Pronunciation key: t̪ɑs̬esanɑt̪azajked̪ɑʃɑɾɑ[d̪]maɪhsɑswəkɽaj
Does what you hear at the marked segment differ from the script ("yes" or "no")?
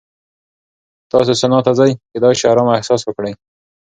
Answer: yes